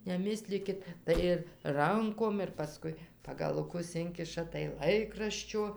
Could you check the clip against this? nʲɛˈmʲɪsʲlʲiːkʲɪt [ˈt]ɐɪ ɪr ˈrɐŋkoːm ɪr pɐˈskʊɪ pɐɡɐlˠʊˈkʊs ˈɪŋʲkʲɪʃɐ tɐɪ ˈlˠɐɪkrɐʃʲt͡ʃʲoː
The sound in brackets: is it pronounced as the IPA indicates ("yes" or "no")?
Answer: yes